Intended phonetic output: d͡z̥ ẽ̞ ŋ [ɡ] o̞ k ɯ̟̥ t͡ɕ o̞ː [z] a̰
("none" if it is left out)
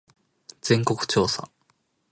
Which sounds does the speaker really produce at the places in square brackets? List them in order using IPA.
k, s

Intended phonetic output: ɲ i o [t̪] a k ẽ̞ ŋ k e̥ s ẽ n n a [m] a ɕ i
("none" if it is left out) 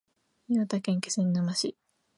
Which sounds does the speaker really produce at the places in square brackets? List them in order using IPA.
t̪, m

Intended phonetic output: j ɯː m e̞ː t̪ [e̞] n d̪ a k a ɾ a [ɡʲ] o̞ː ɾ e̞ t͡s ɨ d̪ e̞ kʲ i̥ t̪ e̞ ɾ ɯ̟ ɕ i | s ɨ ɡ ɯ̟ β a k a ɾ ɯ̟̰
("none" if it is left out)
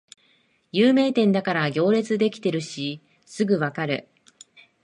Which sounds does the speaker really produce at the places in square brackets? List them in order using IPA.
ẽ̞, ɡʲ

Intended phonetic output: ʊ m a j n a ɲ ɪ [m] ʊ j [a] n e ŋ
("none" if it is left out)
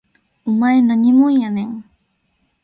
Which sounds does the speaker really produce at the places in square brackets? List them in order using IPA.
m, a

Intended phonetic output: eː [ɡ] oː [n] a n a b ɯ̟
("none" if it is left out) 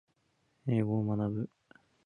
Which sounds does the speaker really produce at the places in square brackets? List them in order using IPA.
ɡ, m

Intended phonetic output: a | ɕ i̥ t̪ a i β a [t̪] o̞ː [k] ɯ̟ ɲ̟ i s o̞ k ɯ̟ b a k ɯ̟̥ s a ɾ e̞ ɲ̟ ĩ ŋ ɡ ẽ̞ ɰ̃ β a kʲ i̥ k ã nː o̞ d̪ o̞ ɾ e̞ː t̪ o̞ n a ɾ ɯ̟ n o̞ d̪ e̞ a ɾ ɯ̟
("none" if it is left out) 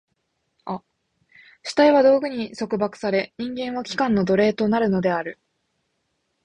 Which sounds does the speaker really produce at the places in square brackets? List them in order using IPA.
d̪, ɡ

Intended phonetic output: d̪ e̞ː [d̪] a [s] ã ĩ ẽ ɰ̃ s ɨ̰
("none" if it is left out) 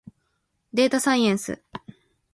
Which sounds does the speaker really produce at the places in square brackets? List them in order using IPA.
t̪, s

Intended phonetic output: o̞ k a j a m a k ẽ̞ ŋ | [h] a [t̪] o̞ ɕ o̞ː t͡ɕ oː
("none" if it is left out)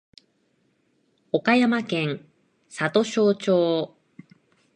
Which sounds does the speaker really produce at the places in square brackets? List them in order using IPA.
s, t̪

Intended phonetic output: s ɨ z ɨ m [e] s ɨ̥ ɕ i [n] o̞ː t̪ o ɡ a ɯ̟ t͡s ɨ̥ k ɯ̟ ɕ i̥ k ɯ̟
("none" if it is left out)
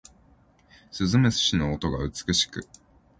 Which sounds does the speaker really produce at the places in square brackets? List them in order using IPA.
e, n

